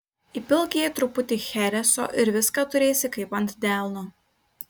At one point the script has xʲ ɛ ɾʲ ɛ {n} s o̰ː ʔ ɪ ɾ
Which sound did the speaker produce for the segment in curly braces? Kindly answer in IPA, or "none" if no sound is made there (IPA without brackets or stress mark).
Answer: none